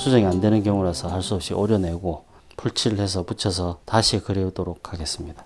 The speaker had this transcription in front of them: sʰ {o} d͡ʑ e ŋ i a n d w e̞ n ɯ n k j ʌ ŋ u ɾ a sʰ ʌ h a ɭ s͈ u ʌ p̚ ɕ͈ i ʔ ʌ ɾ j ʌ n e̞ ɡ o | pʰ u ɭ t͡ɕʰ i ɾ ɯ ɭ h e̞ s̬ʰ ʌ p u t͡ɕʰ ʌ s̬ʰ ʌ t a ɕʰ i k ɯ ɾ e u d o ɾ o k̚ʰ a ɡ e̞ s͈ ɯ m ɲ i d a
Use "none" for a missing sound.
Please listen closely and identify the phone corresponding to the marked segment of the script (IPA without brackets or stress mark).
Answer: u